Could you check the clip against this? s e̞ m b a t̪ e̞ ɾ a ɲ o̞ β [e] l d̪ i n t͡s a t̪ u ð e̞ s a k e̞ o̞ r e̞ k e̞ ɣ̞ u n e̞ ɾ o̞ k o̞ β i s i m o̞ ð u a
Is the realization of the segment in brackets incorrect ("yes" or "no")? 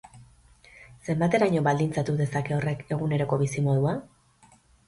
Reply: yes